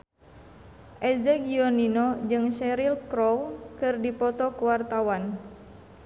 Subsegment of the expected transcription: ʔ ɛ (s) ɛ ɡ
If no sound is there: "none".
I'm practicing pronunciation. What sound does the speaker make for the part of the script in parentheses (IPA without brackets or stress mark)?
z